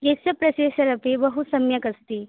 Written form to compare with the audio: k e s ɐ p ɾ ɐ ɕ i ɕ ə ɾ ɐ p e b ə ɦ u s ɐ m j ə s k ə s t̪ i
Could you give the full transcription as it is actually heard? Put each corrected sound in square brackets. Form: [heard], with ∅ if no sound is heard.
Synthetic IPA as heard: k e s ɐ p ɾ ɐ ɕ [e] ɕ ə ɾ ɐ p e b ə ɦ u s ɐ m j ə [∅] k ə s t̪ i